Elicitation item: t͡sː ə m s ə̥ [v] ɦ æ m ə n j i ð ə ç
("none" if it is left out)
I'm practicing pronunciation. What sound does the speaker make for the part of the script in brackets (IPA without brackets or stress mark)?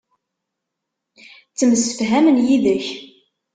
f